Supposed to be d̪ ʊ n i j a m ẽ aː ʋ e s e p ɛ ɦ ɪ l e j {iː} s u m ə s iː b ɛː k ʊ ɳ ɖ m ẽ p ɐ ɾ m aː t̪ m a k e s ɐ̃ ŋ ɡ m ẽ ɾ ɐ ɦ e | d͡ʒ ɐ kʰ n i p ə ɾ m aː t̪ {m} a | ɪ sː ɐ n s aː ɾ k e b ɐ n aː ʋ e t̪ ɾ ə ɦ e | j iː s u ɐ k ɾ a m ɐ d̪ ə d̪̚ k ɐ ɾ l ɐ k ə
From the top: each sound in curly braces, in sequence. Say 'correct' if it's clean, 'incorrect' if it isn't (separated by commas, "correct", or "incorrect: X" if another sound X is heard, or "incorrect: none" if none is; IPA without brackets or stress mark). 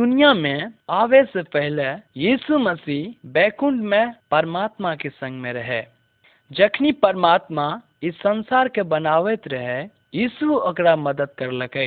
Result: correct, correct